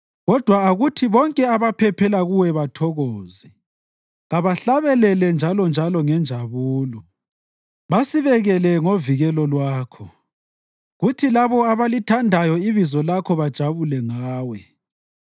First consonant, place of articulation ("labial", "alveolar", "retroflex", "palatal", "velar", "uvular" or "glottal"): velar